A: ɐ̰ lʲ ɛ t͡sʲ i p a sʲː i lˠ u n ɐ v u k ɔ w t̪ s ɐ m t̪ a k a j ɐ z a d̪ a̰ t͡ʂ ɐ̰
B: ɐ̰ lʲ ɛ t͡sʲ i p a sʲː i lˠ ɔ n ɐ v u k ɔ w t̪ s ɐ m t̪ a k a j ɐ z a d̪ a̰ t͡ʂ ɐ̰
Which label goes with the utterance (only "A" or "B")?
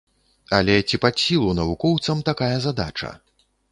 A